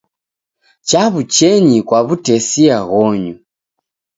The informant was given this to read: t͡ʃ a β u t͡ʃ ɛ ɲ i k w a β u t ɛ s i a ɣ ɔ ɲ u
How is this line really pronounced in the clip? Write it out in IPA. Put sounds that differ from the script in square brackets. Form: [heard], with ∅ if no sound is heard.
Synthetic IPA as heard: t͡ʃ a β u t͡ʃ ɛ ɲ i k w a β u t ɛ s i a ɣ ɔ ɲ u